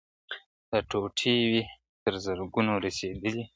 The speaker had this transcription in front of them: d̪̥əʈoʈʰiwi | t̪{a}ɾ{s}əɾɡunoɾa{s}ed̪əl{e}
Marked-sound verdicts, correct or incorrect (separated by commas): incorrect, incorrect, correct, incorrect